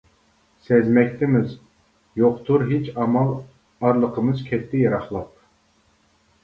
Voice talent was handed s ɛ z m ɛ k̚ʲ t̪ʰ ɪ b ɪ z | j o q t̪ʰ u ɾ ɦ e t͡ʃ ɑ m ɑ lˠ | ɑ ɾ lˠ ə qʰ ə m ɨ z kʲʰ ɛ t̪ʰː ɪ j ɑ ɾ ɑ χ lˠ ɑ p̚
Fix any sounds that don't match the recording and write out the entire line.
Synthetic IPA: s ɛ z m ɛ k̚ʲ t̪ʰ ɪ m ɪ z | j o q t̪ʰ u ɾ ɦ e t͡ʃ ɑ m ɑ lˠ | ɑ ɾ lˠ ə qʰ ə m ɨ z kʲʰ ɛ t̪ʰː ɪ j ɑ ɾ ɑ χ lˠ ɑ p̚